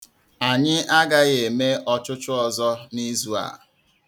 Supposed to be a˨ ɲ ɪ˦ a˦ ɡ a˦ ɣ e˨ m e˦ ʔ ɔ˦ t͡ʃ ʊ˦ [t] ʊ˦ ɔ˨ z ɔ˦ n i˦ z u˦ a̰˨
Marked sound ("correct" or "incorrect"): incorrect